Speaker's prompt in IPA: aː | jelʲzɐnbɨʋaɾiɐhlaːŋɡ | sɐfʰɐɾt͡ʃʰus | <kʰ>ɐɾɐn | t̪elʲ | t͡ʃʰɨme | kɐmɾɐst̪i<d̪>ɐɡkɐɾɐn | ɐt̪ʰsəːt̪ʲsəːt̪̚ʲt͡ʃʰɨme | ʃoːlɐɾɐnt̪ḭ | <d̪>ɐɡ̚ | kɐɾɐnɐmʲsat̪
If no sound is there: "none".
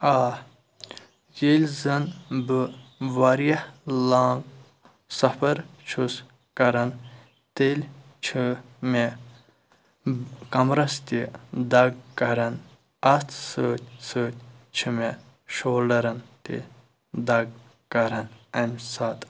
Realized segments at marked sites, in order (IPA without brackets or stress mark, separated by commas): k, d̪, d̪